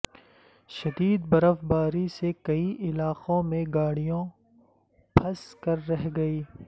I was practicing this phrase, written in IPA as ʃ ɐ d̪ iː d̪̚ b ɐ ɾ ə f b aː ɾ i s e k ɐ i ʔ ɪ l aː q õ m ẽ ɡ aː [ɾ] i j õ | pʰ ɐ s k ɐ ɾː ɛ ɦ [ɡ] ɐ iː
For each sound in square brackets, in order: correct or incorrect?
incorrect, correct

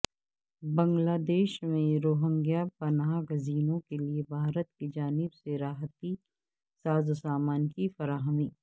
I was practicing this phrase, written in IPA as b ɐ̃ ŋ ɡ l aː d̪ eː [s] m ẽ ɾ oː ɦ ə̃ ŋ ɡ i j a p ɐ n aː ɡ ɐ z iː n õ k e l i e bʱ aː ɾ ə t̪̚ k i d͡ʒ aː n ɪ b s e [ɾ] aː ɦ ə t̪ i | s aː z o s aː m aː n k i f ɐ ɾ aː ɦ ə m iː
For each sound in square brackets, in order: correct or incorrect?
incorrect, correct

